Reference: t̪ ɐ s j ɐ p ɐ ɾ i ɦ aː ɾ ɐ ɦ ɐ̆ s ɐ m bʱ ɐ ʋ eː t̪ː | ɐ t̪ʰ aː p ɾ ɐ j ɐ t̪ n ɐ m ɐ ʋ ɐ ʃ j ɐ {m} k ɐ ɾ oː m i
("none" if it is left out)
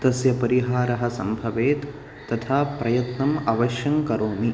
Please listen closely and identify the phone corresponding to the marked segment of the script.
ŋ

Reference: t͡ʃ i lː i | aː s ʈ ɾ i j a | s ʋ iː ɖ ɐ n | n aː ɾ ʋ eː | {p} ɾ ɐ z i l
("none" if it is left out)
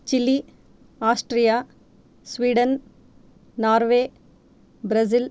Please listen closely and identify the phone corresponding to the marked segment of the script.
b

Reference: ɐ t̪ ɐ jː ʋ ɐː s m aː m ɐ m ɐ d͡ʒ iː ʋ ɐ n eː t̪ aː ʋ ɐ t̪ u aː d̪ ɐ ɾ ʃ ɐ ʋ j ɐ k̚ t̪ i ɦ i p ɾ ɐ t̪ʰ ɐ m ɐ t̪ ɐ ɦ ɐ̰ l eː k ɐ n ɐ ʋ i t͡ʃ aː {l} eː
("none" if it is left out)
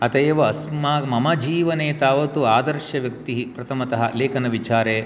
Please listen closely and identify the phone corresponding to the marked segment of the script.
ɾ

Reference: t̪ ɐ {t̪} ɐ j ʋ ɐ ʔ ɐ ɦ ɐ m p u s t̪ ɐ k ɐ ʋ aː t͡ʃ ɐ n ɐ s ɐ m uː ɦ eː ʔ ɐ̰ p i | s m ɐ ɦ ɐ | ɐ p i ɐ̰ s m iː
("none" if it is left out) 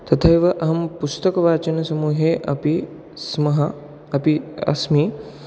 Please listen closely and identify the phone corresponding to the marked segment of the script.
t̪ʰ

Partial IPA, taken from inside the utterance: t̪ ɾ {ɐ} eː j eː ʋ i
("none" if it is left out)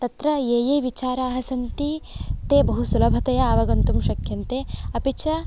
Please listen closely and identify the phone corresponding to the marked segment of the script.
ɐ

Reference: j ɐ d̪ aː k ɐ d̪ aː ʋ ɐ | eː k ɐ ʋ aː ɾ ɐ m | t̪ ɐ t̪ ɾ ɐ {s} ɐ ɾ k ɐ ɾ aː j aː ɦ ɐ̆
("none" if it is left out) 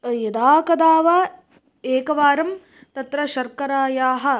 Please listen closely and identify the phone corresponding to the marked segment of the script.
ʃ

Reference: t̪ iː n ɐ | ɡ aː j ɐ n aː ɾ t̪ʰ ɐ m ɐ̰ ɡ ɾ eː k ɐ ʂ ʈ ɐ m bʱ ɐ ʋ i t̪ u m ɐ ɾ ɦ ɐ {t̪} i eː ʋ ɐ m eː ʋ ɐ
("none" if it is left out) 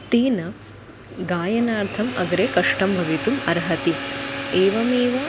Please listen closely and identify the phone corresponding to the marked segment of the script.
t̪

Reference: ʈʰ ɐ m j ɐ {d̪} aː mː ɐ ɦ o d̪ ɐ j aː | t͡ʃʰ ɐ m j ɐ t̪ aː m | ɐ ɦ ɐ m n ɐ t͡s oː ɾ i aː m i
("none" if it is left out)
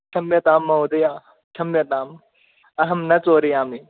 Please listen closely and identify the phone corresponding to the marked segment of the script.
t̪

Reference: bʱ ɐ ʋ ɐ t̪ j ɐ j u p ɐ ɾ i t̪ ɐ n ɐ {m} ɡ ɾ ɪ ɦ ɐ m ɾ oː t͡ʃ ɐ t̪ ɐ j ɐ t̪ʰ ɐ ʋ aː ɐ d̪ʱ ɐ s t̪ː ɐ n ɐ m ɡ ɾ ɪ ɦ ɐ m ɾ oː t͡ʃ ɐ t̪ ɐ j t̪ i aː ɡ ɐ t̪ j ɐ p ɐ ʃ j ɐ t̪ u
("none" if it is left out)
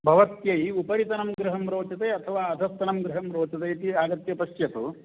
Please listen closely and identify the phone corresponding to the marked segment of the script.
m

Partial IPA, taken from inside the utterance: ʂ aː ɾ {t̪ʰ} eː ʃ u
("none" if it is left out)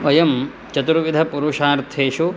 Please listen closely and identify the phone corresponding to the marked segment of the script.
t̪ʰ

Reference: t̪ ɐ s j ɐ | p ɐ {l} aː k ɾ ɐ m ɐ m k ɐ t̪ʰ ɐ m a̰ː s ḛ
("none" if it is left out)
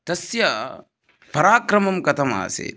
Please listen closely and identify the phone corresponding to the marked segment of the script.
ɾ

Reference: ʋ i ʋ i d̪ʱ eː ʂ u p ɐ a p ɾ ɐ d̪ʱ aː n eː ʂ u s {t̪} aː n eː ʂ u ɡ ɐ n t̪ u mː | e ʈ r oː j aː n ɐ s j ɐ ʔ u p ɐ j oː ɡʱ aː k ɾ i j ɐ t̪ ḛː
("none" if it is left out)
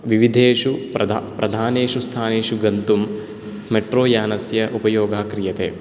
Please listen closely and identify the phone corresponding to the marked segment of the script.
t̪ʰ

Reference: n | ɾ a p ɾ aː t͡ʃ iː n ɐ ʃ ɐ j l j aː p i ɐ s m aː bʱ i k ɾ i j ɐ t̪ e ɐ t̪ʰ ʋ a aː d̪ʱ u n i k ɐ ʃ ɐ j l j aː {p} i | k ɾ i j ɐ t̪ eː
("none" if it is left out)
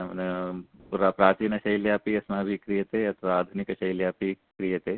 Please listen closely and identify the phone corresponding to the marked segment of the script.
p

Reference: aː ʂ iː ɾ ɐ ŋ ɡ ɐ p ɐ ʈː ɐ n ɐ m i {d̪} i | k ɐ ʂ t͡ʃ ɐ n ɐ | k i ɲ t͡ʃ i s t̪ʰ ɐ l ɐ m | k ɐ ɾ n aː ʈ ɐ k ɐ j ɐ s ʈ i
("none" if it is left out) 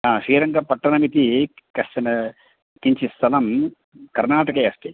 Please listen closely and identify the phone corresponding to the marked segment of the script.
t̪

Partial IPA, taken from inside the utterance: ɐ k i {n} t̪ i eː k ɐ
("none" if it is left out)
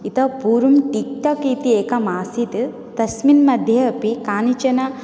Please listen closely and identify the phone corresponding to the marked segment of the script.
none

